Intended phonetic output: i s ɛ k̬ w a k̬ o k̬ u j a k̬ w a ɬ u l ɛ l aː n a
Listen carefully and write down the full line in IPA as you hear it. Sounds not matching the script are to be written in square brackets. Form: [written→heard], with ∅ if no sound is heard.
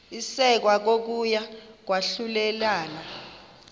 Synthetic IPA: i s ɛ k̬ w a k̬ o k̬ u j a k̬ w a ɬ u l ɛ l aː n a